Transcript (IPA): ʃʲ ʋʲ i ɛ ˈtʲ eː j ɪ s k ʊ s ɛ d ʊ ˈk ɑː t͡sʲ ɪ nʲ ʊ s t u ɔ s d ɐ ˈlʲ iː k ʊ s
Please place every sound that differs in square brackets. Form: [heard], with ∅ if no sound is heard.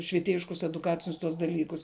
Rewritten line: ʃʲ ʋʲ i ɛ ˈtʲ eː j ɪ [ʃ] k ʊ s ɛ d ʊ ˈk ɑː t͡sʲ ɪ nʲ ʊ s t u ɔ s d ɐ ˈlʲ iː k ʊ s